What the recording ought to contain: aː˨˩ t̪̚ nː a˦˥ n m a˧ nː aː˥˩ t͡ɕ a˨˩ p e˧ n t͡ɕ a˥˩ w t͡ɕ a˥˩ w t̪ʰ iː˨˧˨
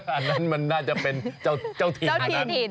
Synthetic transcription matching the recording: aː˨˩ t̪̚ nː a˦˥ n m a˧ nː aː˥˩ t͡ɕ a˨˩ p e˧ n t͡ɕ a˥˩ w t͡ɕ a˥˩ w t̪ʰ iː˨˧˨